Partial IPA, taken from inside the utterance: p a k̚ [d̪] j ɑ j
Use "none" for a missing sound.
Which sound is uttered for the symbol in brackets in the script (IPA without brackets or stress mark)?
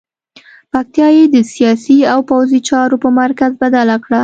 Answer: t̪